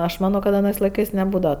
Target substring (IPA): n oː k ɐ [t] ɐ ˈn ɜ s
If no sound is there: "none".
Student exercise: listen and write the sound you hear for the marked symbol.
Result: t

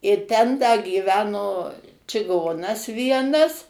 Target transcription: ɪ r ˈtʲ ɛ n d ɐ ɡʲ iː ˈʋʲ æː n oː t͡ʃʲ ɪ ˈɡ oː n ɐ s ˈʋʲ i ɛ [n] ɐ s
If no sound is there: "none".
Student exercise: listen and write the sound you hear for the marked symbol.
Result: n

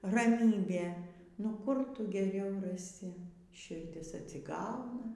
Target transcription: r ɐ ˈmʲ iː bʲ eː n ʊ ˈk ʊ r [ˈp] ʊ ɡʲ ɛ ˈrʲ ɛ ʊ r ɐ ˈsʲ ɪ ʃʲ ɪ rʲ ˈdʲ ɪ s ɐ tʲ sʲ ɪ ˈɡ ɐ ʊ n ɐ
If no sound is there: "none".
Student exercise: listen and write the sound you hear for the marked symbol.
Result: t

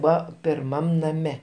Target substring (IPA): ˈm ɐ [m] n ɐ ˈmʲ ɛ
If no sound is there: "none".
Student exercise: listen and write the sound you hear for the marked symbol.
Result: m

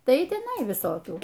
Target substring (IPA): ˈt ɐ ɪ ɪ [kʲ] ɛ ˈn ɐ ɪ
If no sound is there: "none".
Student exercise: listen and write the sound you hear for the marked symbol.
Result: tʲ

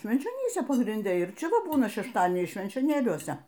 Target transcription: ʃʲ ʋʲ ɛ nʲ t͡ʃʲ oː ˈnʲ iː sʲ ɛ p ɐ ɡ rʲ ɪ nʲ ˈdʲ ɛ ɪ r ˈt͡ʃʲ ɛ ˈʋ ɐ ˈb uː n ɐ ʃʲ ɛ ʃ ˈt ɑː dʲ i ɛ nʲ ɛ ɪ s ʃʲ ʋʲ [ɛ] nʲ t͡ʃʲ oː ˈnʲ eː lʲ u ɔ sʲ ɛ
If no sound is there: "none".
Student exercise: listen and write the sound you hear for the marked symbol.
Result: ɛ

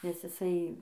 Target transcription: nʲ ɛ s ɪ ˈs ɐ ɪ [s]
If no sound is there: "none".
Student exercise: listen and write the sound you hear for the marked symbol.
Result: none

